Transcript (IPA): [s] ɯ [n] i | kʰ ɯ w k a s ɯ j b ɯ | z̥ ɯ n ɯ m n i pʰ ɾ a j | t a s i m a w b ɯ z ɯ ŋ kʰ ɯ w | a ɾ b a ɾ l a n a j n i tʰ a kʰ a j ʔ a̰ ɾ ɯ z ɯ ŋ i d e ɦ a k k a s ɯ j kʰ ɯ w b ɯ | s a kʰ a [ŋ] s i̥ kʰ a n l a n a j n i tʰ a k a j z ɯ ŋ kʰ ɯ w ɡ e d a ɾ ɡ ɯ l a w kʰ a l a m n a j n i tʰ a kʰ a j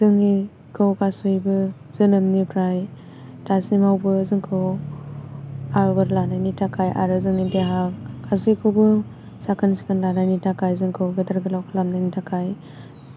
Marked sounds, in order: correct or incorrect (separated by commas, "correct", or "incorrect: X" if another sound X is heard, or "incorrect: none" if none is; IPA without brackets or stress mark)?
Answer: incorrect: z, incorrect: ŋ, incorrect: n